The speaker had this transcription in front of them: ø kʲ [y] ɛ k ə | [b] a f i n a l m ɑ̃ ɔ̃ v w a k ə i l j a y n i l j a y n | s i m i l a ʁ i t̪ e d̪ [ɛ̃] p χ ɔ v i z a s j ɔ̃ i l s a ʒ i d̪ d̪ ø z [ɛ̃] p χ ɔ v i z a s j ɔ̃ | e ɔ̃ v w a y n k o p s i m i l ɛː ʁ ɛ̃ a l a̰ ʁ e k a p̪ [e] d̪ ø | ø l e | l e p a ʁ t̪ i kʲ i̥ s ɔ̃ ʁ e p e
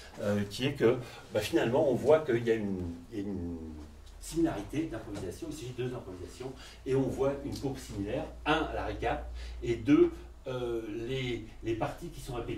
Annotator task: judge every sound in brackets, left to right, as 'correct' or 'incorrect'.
incorrect, correct, correct, correct, correct

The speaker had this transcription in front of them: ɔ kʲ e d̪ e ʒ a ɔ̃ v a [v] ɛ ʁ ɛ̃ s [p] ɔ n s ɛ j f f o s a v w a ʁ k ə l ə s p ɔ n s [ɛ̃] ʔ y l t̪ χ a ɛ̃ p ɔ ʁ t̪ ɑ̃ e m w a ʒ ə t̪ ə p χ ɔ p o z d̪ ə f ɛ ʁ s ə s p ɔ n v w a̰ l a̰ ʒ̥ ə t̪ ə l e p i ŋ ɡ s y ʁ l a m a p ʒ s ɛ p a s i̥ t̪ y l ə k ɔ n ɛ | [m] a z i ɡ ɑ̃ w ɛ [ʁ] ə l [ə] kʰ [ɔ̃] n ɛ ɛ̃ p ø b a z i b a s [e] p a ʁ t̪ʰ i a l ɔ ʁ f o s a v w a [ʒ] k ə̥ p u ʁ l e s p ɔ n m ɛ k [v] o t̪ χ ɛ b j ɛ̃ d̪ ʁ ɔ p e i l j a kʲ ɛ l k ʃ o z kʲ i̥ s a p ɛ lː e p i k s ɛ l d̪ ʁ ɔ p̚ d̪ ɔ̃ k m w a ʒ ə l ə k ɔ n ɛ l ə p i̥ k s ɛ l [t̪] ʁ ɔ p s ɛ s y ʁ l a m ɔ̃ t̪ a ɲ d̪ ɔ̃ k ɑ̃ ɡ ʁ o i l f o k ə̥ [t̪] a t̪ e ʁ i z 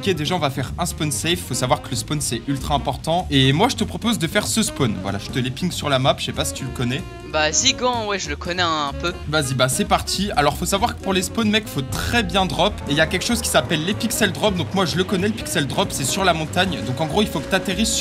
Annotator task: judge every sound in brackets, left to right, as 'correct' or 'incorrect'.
incorrect, correct, incorrect, incorrect, incorrect, correct, incorrect, incorrect, incorrect, incorrect, incorrect, correct

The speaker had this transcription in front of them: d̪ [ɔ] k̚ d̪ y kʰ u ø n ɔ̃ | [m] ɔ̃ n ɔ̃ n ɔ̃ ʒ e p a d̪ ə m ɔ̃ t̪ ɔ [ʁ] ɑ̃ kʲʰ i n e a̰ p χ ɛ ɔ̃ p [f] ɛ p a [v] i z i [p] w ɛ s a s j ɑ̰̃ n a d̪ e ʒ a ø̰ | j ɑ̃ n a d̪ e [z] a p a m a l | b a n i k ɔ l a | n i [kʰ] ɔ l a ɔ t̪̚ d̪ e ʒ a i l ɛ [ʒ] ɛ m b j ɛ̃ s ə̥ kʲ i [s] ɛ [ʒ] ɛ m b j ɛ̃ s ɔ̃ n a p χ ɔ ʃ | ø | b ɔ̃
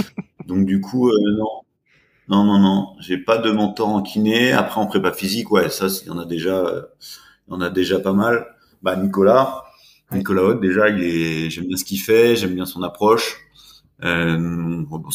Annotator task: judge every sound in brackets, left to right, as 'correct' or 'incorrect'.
incorrect, incorrect, correct, incorrect, incorrect, incorrect, incorrect, incorrect, correct, incorrect, correct

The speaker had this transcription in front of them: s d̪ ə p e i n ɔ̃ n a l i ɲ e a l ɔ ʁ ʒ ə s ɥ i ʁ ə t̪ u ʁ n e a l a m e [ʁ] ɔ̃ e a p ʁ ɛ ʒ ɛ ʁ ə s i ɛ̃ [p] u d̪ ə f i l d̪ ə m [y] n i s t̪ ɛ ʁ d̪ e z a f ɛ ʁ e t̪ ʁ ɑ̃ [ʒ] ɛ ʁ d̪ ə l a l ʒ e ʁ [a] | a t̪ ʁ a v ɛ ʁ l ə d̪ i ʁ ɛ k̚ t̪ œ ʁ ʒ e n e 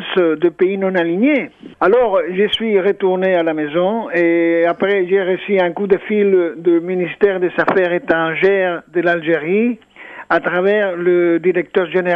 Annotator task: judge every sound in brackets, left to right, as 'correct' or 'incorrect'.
incorrect, incorrect, incorrect, correct, incorrect

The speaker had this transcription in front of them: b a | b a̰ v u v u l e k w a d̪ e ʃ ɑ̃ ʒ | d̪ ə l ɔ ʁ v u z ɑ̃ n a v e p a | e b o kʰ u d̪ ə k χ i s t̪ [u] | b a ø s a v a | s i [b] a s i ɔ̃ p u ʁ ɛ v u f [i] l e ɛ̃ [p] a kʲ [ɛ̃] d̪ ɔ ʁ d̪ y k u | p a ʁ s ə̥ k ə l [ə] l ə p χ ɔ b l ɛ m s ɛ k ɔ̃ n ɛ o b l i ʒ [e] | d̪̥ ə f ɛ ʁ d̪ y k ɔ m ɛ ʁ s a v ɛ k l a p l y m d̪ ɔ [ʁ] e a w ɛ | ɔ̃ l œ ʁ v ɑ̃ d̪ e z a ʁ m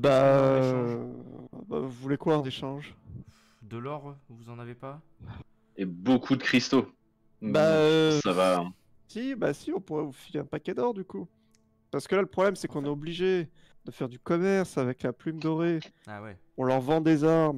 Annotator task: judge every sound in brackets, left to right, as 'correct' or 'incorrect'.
incorrect, correct, correct, correct, incorrect, incorrect, correct, correct

